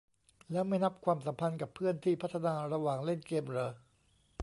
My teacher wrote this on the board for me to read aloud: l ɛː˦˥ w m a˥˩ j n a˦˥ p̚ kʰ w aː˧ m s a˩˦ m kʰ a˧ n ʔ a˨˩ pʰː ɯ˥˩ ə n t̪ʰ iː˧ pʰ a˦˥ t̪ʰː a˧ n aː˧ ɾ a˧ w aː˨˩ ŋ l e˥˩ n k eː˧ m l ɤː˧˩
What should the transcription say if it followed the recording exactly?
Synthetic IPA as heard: l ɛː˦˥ w m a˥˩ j n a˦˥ p̚ kʰ w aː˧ m s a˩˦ m pʰ a˧ n k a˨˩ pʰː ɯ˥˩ ə n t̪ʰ iː˥˩ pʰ a˦˥ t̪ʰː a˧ n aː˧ ɾ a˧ w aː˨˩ ŋ l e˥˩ n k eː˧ m ɾ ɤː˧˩